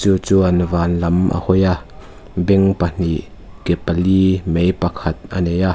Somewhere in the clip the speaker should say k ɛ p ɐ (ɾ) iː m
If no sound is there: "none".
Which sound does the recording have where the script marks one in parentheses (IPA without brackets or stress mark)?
l